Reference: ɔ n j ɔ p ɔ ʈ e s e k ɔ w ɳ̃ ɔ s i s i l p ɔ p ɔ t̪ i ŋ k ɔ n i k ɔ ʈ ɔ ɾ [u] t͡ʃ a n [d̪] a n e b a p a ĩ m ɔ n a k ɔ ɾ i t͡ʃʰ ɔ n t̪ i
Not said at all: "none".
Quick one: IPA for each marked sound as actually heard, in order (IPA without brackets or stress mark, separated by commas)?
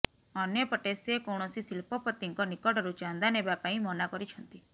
u, d̪